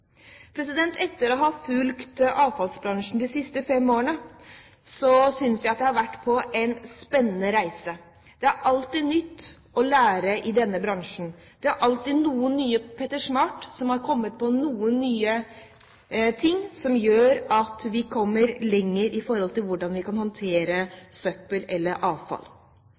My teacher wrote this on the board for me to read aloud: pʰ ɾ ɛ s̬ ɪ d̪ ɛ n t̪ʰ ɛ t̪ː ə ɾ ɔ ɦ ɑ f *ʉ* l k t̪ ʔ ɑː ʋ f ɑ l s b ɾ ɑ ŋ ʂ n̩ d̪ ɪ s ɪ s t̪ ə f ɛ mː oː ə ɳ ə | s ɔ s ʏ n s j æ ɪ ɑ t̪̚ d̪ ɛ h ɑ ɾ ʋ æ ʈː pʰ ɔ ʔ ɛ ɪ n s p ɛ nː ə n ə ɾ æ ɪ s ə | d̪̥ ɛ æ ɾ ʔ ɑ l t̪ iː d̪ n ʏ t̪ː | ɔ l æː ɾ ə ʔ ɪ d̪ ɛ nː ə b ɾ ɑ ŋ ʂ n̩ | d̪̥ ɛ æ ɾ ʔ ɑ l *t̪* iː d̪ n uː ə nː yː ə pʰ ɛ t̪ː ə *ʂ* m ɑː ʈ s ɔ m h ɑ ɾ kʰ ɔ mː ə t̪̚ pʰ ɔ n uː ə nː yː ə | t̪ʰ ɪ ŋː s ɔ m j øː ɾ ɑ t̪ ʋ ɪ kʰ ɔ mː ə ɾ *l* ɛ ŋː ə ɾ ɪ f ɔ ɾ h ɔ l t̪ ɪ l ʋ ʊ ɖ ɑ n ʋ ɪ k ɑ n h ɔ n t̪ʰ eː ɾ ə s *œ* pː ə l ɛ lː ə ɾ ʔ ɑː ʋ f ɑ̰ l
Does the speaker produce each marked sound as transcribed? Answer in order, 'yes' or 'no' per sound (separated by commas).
yes, yes, yes, yes, yes